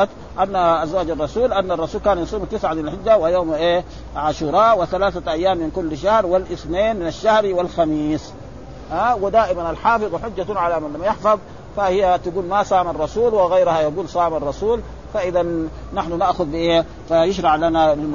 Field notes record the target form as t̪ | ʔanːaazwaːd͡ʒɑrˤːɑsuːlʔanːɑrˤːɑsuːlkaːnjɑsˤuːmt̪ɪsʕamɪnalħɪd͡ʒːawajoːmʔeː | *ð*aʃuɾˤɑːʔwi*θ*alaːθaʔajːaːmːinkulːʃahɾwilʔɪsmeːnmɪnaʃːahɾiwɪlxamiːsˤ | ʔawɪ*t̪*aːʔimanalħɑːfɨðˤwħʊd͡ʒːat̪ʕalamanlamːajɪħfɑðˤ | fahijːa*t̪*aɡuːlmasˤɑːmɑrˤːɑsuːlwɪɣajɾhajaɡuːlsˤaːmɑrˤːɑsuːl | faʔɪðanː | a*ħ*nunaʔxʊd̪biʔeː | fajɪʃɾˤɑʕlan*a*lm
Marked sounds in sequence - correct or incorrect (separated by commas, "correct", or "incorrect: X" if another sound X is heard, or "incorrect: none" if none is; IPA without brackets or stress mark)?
incorrect: ʕ, correct, incorrect: d̪, correct, correct, correct